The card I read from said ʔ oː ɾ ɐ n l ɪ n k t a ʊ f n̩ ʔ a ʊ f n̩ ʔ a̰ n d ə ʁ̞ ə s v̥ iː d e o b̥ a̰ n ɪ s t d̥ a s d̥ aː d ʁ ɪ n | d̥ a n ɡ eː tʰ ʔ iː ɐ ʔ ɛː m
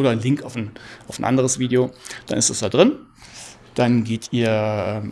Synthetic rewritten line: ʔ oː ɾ ɐ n l ɪ ŋ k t a ʊ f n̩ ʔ a ʊ f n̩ ʔ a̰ n d ə ʁ̞ ə s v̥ iː d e o d̥ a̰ n ɪ s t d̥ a s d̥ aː d ʁ ɪ n | d̥ a n ɡ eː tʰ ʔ iː ɐ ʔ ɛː m